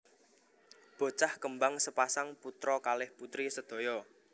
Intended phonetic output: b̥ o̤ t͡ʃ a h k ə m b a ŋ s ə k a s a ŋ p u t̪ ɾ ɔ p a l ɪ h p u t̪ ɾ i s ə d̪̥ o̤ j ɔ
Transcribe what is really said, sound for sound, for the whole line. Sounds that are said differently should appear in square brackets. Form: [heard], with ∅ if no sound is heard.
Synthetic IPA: b̥ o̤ t͡ʃ a h k ə m b a ŋ s ə [p] a s a ŋ p u t̪ ɾ ɔ [k] a l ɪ h p u t̪ ɾ i s ə d̪̥ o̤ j ɔ